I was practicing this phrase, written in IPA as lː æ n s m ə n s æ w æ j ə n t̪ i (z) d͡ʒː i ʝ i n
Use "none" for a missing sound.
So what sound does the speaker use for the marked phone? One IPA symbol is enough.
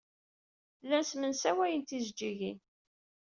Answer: z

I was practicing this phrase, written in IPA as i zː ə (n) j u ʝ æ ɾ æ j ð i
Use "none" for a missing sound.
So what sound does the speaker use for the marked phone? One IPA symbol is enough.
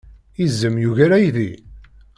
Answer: m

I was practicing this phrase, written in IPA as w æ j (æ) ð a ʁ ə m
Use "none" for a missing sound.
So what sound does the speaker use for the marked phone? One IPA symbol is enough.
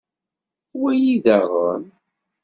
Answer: i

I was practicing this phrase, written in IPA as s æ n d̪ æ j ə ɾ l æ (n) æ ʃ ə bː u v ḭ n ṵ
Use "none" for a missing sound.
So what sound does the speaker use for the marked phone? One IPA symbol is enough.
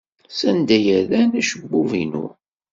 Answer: n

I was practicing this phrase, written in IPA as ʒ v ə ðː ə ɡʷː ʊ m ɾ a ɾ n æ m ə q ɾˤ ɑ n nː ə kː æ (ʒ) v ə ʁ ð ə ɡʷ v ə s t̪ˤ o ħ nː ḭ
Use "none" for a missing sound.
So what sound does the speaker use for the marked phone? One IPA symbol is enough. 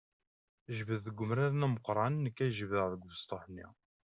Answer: ʒ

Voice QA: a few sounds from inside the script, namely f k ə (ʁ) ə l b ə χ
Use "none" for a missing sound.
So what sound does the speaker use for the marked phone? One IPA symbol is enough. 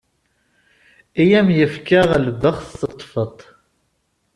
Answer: ʁ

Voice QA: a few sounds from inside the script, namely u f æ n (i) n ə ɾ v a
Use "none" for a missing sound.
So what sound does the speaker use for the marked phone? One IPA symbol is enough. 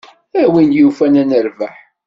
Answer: æ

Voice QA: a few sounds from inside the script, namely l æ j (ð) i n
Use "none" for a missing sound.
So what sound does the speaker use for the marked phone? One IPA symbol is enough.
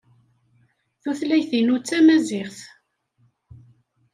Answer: θ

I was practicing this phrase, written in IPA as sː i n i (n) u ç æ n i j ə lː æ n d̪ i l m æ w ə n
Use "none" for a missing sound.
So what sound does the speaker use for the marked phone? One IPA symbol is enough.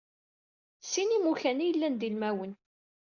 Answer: m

